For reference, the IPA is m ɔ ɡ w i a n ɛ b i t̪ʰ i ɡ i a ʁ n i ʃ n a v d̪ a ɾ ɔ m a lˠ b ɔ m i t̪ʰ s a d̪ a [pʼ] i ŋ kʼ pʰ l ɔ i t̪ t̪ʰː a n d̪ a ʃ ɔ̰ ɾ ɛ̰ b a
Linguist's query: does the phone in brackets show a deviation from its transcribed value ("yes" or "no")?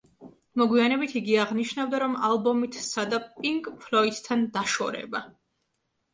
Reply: no